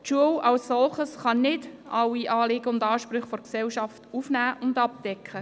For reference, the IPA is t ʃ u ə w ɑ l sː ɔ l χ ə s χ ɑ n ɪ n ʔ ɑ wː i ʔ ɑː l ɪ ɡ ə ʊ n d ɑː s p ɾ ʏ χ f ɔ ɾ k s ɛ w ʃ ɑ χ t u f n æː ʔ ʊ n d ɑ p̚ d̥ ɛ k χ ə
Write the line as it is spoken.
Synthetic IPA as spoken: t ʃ u ə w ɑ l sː ɔ l χ ə s χ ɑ n ɪ d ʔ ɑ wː i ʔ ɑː l ɪ ɡ ə ʊ n d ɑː ʃ p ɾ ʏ χ f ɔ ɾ k s ɛ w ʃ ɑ f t u f n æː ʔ ʊ n d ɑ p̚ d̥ ɛ k χ ə